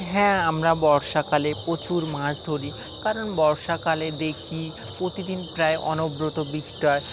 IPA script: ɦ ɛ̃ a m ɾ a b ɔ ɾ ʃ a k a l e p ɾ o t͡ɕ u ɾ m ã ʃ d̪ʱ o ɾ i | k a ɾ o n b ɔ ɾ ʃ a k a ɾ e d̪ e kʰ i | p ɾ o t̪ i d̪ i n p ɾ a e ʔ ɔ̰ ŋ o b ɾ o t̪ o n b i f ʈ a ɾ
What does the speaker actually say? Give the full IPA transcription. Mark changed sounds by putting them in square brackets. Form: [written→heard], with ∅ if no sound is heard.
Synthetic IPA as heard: ɦ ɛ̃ a m ɾ a b ɔ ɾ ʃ a k a l e p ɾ o t͡ɕ u ɾ m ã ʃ d̪ʱ o ɾ i | k a ɾ o n b ɔ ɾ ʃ a k a [ɾ→l] e d̪ e kʰ i | p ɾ o t̪ i d̪ i n p ɾ a e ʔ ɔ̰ [ŋ→n] o b ɾ o t̪ o [n→∅] b i [f→ʃ] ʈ a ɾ